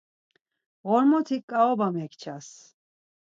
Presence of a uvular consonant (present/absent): absent